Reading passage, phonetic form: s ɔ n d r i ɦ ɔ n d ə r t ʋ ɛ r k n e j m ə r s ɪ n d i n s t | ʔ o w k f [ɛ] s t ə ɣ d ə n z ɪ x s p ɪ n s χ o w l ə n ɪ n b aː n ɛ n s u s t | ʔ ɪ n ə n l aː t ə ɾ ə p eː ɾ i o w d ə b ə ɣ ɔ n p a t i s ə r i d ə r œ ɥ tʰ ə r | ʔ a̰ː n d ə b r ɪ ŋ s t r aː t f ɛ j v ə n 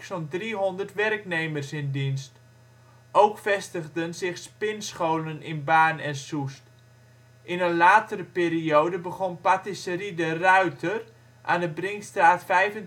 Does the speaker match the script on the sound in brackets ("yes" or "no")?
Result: yes